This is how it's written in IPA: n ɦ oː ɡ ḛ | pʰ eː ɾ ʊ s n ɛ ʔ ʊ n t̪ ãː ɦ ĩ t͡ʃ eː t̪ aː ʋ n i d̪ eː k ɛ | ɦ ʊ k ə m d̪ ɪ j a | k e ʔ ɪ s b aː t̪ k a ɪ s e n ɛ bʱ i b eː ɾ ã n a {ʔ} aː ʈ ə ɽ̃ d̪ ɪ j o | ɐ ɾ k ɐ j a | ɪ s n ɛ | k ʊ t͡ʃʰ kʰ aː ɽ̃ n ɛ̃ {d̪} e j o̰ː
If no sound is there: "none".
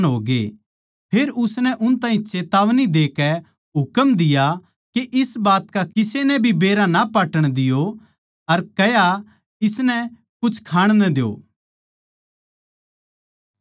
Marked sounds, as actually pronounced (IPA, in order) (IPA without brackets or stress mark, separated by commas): p, d̪